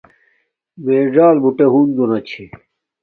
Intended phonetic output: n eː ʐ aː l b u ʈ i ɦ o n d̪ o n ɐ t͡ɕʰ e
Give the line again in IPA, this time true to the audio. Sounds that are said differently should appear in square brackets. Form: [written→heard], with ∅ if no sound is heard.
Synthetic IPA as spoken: [n→m] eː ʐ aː l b u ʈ [i→e] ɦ [o→u] n d̪ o n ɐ t͡ɕʰ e